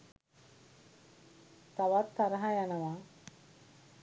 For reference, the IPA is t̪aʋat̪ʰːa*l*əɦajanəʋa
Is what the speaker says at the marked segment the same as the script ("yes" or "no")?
no